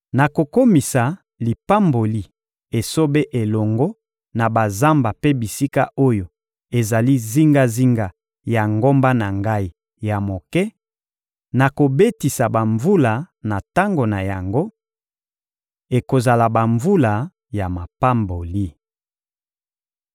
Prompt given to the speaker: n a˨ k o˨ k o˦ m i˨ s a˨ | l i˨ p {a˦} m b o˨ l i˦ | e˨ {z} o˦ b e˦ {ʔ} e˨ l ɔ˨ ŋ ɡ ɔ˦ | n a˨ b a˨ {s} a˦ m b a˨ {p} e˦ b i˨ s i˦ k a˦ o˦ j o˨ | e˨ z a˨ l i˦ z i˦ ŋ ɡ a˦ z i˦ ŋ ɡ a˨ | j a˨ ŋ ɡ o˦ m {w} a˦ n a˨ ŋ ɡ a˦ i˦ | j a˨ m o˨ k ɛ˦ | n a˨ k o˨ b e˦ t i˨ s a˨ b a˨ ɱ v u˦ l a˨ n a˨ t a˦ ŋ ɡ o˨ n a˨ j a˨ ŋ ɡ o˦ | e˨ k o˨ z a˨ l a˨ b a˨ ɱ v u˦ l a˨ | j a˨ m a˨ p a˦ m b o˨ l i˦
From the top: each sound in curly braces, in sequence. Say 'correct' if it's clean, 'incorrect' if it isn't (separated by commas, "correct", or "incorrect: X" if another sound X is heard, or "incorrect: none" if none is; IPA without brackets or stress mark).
correct, incorrect: s, correct, incorrect: z, correct, incorrect: b